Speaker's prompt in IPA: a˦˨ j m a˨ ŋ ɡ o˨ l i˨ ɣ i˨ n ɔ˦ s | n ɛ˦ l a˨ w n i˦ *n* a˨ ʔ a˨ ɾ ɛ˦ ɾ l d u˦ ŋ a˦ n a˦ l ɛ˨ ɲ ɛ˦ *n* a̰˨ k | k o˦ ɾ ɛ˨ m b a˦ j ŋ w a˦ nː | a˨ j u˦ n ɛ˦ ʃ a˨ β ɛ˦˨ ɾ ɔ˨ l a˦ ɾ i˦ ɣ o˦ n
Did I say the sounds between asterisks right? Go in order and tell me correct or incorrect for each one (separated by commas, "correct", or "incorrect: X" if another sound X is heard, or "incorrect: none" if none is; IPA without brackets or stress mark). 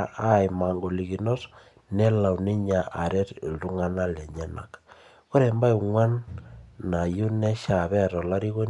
incorrect: ɲ, correct